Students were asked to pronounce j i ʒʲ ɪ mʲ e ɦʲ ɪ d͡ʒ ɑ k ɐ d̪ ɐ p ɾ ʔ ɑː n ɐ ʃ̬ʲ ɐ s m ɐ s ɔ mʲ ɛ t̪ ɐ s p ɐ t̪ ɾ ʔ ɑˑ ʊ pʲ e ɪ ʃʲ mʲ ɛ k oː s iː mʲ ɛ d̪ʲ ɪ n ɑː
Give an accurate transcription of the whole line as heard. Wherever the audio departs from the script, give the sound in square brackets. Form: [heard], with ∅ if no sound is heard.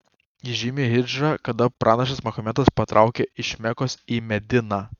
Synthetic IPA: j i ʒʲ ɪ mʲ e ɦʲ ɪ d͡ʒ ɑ k ɐ d̪ ɐ p ɾ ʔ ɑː n ɐ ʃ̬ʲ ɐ s m ɐ [x] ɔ mʲ ɛ t̪ ɐ s p ɐ t̪ ɾ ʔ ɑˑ ʊ [kʲ] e ɪ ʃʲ mʲ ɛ k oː s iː mʲ ɛ d̪ʲ ɪ n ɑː